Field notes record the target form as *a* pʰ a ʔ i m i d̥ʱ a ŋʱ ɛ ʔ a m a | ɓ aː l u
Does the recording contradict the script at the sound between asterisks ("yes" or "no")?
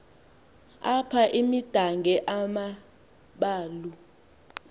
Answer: no